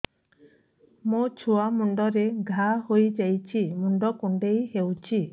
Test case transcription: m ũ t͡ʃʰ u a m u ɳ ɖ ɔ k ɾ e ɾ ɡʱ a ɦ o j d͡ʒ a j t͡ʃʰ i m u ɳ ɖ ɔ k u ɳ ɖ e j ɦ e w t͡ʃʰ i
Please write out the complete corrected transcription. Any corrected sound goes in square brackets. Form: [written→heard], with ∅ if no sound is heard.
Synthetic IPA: m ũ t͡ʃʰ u a m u ɳ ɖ ɔ [k→∅] ɾ e [ɾ→∅] ɡʱ a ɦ o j d͡ʒ a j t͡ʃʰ i m u ɳ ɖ ɔ k u ɳ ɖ e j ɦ e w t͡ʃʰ i